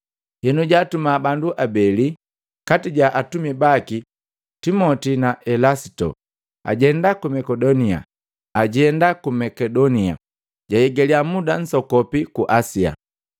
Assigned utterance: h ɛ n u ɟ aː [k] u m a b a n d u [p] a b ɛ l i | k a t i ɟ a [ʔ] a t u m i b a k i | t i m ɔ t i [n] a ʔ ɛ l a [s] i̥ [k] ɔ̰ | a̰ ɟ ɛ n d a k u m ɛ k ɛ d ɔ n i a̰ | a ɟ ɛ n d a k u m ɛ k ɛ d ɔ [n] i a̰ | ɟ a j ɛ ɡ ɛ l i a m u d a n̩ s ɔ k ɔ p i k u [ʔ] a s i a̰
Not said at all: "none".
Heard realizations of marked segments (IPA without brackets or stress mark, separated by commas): t, ʔ, ʔ, n, s, t, n, ʔ